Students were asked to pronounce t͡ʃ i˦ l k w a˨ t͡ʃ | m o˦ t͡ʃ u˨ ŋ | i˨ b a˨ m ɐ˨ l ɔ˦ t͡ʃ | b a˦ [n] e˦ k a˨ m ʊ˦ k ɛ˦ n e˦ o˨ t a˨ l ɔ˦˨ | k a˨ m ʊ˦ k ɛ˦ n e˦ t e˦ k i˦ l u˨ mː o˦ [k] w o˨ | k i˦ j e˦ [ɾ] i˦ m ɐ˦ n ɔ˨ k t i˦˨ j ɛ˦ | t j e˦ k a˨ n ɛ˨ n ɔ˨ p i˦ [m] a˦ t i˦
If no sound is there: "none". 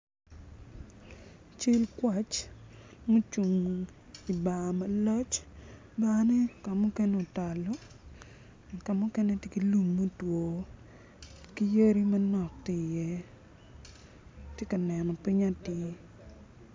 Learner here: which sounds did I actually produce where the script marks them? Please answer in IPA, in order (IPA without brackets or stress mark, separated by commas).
n, t, ɾ, ɲ